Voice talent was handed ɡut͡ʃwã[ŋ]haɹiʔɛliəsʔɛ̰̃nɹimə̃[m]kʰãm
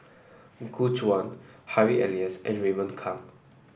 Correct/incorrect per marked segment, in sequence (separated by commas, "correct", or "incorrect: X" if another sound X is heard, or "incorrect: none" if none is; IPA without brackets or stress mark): incorrect: n, incorrect: n